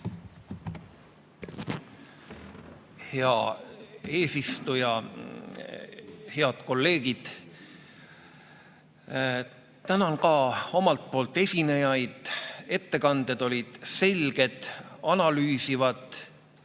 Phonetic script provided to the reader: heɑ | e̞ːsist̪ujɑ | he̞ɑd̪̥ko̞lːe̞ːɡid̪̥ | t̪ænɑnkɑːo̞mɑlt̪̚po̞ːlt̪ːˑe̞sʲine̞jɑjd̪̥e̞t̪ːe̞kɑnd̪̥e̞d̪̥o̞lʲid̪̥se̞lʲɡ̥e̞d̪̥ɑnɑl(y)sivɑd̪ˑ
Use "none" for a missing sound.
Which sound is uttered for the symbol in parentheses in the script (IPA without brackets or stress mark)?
yː